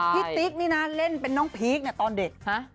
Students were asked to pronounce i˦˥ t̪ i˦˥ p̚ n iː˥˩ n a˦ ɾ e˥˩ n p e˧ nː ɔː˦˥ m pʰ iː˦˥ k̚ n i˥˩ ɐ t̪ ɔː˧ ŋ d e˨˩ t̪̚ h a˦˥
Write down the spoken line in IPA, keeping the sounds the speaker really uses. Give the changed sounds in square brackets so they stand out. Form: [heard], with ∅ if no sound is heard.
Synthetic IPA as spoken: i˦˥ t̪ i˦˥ [k̚] n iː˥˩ n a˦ [l] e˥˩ n p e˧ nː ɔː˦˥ [ŋ] pʰ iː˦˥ k̚ n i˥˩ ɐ t̪ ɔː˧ [n] d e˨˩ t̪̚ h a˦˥

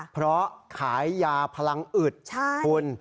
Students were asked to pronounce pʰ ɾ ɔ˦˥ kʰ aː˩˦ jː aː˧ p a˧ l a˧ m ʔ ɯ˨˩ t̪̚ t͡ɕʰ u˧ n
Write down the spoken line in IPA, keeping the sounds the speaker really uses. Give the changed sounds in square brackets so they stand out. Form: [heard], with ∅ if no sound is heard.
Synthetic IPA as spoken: pʰ ɾ ɔ˦˥ kʰ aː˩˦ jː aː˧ [pʰ] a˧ l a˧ [ŋ] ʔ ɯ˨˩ t̪̚ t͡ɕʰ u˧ n

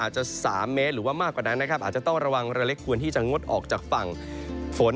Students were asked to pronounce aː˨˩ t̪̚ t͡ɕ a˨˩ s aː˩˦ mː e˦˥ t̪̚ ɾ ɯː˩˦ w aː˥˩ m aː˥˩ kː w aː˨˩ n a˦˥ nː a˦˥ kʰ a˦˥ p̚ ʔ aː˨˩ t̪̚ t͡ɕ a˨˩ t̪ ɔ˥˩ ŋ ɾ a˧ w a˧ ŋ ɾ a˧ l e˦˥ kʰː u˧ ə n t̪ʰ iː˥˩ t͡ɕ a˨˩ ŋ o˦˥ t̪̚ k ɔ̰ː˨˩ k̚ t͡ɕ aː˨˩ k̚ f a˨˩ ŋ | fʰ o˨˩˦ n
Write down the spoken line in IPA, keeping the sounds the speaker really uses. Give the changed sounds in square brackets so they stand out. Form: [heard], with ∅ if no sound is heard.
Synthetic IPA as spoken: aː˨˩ t̪̚ t͡ɕ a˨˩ s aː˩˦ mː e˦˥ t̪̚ ɾ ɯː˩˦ w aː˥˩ m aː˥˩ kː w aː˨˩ n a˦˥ nː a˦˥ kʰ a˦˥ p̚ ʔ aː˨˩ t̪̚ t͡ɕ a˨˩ t̪ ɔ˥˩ ŋ ɾ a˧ w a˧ ŋ ɾ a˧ l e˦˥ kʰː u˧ ə n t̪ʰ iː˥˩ t͡ɕ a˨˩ ŋ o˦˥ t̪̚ [ʔ] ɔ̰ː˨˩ k̚ t͡ɕ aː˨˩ k̚ f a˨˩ ŋ | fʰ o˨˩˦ n

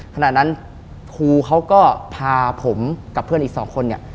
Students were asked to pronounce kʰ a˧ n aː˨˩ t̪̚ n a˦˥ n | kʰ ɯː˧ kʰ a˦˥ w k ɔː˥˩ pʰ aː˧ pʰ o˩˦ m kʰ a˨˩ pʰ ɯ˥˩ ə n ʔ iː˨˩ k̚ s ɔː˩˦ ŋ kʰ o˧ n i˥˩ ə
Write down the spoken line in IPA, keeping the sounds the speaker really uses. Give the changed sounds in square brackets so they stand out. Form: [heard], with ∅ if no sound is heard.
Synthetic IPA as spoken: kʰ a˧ n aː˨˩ t̪̚ n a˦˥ n | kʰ [uː˧] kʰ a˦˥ w k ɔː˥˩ pʰ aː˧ pʰ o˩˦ m [k] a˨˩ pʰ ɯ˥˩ ə n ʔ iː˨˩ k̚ s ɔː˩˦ ŋ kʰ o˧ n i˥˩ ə

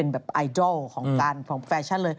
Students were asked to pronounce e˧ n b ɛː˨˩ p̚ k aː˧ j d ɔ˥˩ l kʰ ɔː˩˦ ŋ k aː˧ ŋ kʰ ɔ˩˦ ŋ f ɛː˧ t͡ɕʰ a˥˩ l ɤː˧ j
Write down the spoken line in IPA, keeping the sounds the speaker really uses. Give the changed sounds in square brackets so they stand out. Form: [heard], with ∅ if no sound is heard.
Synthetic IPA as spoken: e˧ n b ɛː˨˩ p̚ [ʔ] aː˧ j d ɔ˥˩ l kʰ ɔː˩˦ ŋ k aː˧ [n] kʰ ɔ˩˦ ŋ f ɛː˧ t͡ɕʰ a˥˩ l ɤː˧ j

